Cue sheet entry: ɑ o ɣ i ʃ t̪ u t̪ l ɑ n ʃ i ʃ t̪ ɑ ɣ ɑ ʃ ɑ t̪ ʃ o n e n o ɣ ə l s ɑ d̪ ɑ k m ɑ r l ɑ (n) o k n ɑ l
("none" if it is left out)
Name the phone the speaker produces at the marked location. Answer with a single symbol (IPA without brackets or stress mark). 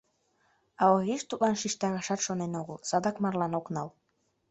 n